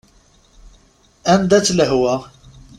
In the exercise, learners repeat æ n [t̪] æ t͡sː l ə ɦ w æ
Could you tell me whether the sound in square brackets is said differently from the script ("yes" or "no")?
yes